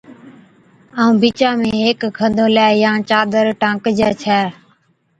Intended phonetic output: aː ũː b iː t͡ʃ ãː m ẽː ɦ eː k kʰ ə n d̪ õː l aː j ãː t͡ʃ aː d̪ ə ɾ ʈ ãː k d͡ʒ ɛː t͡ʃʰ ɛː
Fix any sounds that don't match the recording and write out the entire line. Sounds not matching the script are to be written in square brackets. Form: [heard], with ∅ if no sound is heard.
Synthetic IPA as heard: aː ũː b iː t͡ʃ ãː m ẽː ɦ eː k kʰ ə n d̪ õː l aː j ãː t͡ʃ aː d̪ ə ɾ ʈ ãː k d͡ʒ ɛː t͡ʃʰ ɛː